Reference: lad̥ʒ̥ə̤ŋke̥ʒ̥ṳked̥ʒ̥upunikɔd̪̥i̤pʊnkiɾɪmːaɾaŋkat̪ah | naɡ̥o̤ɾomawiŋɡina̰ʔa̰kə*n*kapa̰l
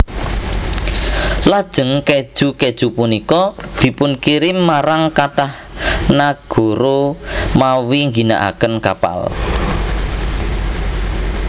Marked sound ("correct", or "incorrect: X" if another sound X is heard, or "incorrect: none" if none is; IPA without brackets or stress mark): correct